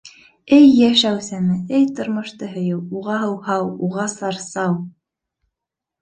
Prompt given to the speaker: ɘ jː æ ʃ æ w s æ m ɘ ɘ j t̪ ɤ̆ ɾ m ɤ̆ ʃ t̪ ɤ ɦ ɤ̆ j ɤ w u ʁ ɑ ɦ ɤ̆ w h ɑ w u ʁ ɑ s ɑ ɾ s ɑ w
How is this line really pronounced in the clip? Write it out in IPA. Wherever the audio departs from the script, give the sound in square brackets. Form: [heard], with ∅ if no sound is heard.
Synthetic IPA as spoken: ɘ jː æ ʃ æ w s æ m ɘ ɘ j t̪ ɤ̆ ɾ m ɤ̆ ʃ t̪ ɤ ɦ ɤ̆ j ɤ w u ʁ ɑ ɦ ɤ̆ w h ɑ w u ʁ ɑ s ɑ ɾ s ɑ w